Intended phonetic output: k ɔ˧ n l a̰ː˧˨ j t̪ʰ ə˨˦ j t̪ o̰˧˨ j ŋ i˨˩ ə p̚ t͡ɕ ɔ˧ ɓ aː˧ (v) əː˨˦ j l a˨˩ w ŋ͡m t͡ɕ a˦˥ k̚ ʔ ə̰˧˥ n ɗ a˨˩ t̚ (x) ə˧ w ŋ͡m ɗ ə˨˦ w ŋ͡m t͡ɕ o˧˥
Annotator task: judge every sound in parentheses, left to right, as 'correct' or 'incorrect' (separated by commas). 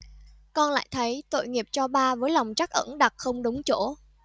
correct, correct